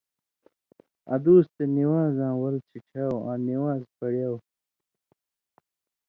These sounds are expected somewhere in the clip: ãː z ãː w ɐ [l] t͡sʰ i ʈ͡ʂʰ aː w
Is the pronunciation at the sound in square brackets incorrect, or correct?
correct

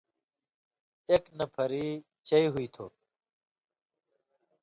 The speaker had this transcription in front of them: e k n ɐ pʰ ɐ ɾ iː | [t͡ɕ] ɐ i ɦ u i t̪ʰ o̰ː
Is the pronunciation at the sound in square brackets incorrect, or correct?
correct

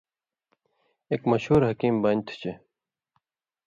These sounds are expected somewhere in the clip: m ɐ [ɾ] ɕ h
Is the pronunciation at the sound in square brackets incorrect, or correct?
incorrect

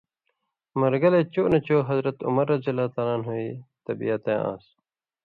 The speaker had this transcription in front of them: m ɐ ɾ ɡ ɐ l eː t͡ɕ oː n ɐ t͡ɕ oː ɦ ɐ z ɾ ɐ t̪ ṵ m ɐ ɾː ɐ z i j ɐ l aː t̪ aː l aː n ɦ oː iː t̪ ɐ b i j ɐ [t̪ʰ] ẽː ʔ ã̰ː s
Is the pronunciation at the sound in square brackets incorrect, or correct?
incorrect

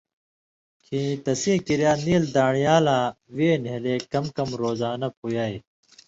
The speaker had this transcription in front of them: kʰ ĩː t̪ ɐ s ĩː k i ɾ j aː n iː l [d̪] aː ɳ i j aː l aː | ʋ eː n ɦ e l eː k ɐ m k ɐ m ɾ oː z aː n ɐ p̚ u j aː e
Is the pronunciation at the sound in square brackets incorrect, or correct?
correct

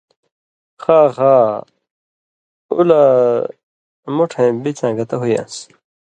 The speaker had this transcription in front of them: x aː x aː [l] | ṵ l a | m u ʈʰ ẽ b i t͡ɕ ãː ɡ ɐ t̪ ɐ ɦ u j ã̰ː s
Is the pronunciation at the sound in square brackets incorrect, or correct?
incorrect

